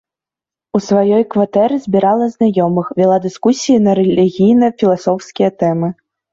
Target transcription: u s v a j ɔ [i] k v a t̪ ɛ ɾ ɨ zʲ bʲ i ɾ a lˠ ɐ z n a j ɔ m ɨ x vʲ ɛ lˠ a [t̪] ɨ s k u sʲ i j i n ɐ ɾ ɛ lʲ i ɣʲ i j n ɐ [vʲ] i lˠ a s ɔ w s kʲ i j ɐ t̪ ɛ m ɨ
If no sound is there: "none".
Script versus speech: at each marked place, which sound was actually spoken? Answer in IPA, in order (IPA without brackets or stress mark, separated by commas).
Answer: j, d̪, fʲ